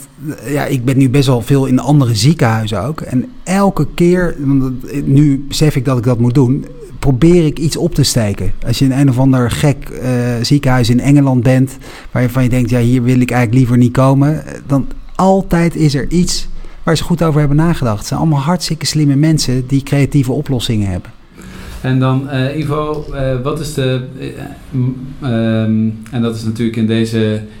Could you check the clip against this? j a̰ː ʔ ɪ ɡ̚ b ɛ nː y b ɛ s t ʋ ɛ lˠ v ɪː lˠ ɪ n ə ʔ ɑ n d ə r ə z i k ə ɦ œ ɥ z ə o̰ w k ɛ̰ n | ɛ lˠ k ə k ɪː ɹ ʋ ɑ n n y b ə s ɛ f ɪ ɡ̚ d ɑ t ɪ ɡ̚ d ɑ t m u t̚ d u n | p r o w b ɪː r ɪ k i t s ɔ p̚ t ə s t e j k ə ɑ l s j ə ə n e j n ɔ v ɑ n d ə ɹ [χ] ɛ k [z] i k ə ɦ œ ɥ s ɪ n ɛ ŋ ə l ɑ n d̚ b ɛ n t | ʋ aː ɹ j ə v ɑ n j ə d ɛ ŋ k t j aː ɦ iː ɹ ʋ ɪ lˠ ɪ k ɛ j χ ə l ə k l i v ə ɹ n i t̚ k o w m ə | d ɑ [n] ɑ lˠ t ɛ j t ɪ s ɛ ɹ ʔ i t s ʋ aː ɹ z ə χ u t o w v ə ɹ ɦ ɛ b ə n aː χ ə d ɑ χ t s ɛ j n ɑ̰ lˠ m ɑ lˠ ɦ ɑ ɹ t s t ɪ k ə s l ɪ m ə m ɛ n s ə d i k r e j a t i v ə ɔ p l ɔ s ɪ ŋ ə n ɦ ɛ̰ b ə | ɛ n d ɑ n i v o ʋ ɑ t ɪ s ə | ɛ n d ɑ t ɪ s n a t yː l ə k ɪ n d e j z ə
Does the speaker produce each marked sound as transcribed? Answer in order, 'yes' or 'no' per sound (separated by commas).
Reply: yes, yes, yes